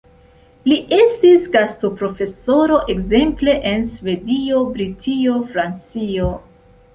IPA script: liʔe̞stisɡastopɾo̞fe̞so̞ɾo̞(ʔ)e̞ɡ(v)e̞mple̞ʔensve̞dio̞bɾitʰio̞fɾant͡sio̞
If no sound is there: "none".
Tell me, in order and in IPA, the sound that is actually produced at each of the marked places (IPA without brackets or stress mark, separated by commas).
ʔ, z